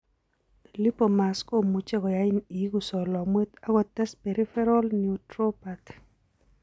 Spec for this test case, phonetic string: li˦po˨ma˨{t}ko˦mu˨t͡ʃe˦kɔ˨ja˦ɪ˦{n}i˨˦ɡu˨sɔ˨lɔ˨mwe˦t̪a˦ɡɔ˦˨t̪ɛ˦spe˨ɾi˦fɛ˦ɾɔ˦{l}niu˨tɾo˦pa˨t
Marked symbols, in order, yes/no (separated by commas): no, yes, yes